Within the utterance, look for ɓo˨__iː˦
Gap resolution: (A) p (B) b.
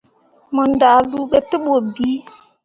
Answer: B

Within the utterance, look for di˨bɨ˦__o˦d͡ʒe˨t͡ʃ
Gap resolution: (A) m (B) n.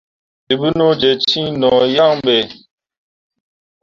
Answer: B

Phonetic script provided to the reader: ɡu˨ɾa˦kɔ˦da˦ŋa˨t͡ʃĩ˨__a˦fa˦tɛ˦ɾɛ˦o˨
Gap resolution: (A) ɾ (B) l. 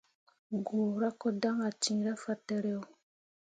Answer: A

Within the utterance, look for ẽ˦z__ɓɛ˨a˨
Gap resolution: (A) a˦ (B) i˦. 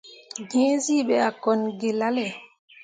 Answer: B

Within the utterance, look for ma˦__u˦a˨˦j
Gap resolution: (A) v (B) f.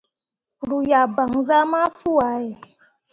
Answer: B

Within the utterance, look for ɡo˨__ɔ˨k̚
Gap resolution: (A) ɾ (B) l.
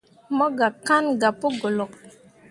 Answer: B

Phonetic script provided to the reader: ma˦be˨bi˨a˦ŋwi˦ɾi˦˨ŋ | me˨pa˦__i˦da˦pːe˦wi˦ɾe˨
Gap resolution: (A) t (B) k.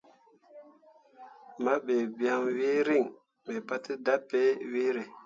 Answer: A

